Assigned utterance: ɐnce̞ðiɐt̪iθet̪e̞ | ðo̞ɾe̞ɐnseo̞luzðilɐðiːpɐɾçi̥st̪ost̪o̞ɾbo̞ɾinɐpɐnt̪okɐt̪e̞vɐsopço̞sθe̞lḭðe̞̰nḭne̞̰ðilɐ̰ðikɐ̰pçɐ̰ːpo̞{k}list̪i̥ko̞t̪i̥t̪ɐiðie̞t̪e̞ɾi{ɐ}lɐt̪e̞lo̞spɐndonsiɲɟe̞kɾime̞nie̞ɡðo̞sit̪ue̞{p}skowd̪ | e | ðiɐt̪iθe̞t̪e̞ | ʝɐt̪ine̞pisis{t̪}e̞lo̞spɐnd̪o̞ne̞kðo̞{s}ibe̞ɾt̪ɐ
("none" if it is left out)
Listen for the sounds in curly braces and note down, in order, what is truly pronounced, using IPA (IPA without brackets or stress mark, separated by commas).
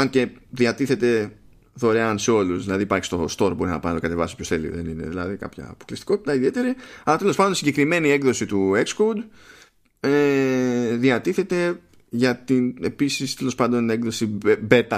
k, ɐ, k, t̪, s